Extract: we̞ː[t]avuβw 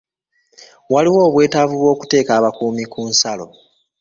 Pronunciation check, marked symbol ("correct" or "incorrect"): correct